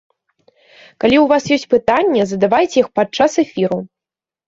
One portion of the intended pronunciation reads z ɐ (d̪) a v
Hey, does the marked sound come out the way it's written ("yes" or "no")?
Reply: yes